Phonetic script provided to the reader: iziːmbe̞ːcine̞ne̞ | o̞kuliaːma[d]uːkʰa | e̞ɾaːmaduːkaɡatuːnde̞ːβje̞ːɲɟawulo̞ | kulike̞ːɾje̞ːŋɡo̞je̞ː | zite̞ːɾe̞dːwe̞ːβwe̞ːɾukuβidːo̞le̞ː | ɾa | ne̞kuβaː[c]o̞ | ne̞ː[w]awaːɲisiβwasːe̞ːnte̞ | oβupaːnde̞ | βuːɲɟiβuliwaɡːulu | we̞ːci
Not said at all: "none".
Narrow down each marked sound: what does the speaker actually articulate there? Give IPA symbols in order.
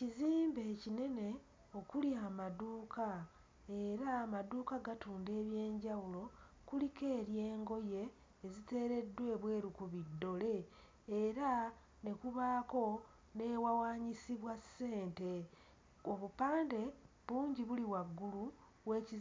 d, k, w

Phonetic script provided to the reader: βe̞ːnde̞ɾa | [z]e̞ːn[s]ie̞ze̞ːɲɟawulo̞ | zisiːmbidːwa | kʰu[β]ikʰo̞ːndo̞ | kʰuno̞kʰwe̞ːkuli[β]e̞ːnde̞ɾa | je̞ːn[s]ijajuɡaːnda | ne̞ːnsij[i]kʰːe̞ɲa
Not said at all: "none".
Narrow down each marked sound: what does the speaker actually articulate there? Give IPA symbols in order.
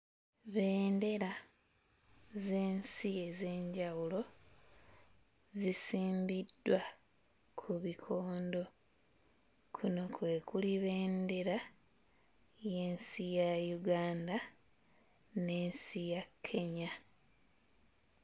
z, s, β, β, s, a

